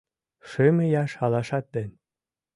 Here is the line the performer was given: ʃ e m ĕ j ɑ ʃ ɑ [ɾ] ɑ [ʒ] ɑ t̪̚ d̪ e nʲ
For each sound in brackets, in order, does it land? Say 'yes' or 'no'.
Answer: no, no

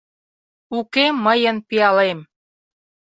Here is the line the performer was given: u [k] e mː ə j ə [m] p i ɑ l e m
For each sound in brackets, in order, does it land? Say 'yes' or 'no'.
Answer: yes, no

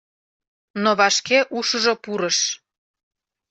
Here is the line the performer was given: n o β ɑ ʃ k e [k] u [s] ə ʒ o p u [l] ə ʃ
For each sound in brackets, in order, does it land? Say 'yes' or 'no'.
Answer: no, no, no

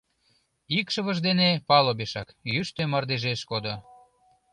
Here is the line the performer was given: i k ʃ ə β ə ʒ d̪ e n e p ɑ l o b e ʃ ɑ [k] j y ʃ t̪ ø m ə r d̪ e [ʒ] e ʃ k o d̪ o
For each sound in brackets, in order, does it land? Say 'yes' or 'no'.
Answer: yes, yes

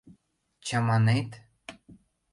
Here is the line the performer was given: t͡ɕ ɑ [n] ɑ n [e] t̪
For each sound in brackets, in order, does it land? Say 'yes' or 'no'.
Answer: no, yes

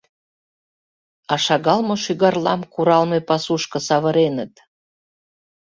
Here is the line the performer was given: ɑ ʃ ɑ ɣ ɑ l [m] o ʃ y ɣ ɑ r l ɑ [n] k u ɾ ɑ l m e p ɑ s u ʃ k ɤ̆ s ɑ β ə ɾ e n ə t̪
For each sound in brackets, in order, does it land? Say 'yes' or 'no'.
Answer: yes, no

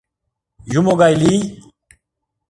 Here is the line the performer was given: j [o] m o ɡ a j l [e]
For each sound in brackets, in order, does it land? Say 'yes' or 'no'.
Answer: no, no

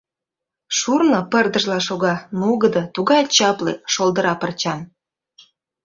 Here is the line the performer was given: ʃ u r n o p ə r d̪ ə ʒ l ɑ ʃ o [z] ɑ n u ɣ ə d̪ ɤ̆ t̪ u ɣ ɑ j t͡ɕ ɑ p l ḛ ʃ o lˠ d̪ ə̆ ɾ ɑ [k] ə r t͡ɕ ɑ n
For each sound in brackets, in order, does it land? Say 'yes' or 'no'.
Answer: no, no

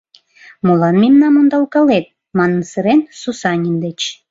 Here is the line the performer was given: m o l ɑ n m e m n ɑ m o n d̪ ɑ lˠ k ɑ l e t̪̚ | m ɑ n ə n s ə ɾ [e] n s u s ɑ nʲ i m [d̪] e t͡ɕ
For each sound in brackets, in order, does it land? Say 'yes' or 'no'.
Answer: yes, yes

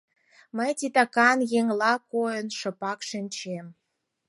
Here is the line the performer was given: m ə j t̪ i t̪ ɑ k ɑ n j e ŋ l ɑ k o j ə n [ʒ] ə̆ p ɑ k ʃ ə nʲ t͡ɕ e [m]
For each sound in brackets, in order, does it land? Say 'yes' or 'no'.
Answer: no, yes

